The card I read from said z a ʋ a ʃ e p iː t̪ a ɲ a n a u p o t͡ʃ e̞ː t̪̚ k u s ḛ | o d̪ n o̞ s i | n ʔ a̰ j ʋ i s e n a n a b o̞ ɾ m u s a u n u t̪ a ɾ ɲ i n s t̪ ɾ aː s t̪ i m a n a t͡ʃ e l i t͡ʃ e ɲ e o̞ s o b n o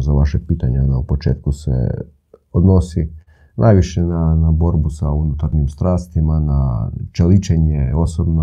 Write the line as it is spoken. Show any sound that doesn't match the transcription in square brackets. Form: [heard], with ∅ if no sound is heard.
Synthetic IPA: z a ʋ a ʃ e p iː t̪ a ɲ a n a u p o t͡ʃ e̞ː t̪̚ k u s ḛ | o d̪ n o̞ s i | n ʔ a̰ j ʋ i [ʃ] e n a n a b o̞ ɾ [b] u s a u n u t̪ a ɾ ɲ i [m] s t̪ ɾ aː s t̪ i m a n a t͡ʃ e l i t͡ʃ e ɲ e o̞ s o b n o